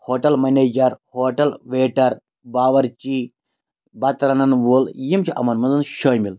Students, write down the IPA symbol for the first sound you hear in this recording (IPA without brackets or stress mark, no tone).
h